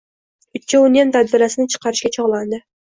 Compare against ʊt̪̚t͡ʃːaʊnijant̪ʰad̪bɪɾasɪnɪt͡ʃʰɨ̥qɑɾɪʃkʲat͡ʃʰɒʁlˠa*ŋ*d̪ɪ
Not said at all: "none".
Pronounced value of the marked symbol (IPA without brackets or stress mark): n